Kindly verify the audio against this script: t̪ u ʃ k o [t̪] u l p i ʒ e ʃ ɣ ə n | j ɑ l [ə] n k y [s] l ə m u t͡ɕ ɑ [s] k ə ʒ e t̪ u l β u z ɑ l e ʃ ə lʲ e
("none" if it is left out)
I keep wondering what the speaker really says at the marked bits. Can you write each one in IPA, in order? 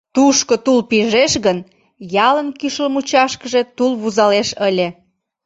t̪, ə, ʃ, ʃ

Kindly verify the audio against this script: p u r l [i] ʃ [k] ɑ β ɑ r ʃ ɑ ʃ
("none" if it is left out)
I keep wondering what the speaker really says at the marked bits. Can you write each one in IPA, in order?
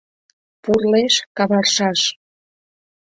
e, k

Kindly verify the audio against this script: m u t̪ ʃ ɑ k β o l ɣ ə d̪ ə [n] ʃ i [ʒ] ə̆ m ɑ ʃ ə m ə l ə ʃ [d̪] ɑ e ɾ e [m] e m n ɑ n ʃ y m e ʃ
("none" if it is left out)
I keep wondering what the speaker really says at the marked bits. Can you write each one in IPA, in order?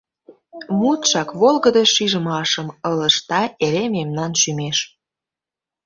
none, ʒ, t̪, m

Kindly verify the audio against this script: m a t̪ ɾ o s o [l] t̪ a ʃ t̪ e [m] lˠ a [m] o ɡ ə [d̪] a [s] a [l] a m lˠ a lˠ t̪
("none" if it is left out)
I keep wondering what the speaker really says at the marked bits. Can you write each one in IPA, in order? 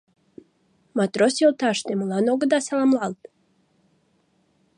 l, m, n, d̪, s, l

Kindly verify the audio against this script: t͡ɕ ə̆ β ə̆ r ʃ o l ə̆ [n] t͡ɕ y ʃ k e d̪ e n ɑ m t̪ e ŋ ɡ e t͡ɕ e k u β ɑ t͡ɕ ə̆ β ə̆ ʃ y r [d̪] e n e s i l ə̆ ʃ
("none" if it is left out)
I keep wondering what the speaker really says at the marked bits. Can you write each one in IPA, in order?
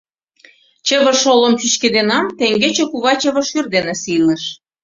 m, d̪

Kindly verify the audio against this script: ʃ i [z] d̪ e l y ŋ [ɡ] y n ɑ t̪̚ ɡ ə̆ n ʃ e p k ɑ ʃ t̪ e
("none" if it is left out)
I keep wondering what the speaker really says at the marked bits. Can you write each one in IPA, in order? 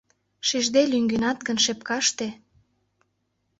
ʒ, ɡ

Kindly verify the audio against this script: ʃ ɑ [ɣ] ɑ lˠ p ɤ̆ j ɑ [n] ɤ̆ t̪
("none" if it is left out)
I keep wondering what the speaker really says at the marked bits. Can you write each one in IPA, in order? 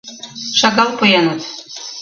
ɣ, n

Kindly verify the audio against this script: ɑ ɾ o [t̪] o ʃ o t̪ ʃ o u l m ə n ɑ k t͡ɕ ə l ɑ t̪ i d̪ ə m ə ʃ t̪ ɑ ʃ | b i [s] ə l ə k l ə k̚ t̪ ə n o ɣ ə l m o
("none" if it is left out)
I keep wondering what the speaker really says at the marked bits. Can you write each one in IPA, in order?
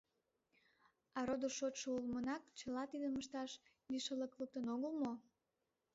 d̪, ʃ

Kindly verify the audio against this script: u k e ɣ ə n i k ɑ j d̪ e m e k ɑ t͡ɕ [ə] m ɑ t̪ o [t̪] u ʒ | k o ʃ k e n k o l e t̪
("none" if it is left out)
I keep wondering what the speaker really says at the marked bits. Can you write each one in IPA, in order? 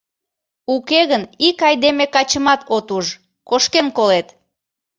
ə, t̪

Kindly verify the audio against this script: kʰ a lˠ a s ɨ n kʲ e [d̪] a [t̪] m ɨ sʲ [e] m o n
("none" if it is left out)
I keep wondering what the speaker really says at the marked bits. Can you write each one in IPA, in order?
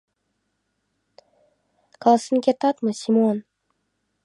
t̪, t̪, i

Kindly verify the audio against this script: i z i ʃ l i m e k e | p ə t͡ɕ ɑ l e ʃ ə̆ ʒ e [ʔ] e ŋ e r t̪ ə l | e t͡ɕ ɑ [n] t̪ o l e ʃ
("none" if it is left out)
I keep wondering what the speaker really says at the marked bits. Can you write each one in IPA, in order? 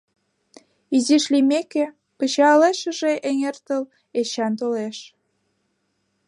ʔ, n

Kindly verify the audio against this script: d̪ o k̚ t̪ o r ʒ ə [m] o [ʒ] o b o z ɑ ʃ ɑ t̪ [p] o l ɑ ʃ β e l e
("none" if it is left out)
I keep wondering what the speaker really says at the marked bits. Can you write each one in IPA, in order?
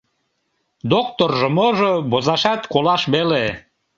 m, ʒ, k

